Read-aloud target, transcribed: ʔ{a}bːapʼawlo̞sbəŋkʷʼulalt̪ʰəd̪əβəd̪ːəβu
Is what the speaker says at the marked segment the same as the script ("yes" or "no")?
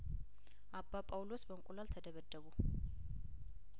yes